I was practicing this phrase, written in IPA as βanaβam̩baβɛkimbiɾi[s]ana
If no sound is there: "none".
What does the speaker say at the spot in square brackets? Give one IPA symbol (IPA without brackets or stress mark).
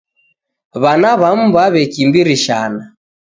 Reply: ʃ